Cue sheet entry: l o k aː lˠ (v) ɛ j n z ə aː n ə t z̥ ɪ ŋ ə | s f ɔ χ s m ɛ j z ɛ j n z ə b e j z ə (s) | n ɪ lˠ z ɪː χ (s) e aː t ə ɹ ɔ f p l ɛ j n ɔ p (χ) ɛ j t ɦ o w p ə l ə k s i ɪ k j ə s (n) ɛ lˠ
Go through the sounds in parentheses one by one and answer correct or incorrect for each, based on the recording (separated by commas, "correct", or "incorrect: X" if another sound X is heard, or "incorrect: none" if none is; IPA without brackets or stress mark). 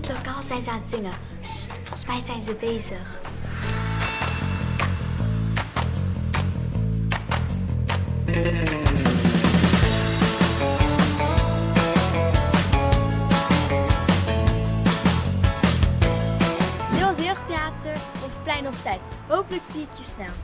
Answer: incorrect: z, incorrect: χ, incorrect: t, incorrect: s, correct